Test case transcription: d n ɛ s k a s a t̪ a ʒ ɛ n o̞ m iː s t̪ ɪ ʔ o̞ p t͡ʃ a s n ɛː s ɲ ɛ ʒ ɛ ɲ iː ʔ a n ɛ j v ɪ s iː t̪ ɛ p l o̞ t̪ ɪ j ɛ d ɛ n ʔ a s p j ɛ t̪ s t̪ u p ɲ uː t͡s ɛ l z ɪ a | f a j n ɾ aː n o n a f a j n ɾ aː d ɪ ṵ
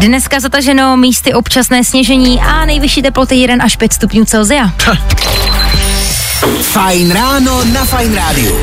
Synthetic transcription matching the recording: d n ɛ s k a z a t̪ a ʒ ɛ n o̞ m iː s t̪ ɪ ʔ o̞ p t͡ʃ a s n ɛː s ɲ ɛ ʒ ɛ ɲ iː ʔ a n ɛ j v ɪ ʃ iː t̪ ɛ p l o̞ t̪ ɪ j ɛ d ɛ n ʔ a ʃ p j ɛ t̪ s t̪ u p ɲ uː t͡s ɛ l z ɪ a | f a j n ɾ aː n o n a f a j n ɾ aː d ɪ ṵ